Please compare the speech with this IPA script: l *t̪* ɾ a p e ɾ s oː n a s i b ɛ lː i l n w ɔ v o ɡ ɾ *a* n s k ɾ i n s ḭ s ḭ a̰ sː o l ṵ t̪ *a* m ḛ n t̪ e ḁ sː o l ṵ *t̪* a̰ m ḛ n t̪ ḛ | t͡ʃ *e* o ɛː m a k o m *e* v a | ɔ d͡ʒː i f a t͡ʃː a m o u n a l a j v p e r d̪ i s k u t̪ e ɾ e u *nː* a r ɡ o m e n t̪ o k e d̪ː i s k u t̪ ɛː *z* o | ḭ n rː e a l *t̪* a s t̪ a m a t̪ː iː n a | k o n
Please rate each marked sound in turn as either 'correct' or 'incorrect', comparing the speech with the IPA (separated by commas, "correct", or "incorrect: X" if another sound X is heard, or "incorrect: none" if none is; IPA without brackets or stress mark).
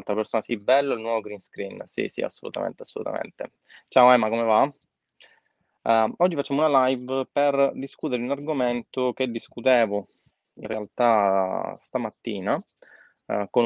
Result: correct, incorrect: i, correct, correct, incorrect: a, correct, incorrect: n, incorrect: v, correct